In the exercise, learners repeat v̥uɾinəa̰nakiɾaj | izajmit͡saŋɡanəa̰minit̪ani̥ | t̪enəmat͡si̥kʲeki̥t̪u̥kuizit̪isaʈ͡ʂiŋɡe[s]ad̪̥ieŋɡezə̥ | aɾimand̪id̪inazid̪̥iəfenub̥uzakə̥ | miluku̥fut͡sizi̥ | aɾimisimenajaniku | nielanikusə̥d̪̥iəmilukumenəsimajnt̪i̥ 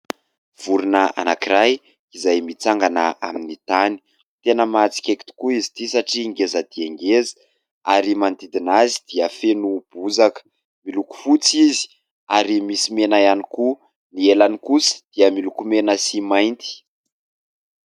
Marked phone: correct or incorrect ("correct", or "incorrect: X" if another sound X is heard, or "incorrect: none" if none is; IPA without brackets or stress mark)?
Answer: incorrect: z